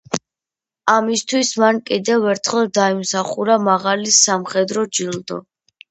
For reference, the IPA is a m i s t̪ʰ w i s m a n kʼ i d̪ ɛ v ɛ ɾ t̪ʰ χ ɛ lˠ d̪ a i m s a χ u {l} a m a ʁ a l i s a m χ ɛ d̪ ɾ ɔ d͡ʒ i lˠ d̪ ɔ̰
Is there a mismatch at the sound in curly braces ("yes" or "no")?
yes